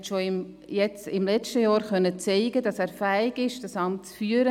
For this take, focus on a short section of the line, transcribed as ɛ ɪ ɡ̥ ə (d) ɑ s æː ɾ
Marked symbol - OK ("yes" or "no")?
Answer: yes